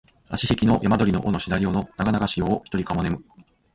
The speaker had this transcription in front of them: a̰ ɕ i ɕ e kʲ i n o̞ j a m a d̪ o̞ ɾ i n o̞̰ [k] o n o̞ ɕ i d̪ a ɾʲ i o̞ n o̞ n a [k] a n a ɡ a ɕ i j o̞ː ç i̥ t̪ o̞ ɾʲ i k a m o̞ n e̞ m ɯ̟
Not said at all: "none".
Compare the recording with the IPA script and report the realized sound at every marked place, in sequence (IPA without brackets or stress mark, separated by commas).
ʔ, ɡ